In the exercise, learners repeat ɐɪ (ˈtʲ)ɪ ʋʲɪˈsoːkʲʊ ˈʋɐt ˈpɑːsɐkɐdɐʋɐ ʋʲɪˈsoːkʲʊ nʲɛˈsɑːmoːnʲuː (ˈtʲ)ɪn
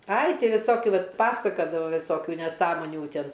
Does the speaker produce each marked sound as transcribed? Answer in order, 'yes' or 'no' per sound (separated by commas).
yes, yes